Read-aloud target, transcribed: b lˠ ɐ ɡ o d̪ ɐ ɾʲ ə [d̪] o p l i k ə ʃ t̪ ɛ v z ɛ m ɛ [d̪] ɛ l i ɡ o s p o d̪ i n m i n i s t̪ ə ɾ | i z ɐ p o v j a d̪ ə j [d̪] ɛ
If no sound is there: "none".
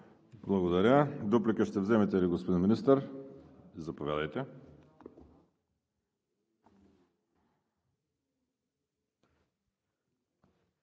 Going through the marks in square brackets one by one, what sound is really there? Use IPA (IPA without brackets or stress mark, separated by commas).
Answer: d̪, t̪, t̪